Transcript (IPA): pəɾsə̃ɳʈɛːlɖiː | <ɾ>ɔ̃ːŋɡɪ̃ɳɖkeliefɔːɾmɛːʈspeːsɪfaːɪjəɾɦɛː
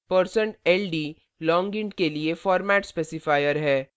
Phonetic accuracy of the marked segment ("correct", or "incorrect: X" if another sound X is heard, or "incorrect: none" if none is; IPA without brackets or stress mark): incorrect: l